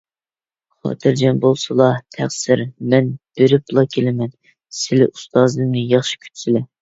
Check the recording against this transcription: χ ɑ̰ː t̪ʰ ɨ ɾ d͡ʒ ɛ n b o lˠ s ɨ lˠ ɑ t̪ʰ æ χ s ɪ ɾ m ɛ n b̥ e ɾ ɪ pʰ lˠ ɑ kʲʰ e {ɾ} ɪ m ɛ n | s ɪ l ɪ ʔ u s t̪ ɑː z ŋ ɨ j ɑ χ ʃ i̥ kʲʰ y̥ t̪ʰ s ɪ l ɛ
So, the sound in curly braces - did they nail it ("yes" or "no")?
no